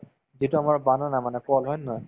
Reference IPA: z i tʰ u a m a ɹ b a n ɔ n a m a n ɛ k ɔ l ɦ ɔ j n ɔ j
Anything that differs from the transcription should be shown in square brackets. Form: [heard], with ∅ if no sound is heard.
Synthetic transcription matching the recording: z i [t] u a m a ɹ b a n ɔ n a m a n ɛ k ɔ l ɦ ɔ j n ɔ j